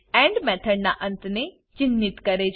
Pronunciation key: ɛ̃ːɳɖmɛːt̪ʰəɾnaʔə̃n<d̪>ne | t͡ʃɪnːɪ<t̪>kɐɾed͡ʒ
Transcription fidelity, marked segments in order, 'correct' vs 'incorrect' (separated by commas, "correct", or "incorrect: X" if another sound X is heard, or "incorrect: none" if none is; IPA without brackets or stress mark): incorrect: t̪, correct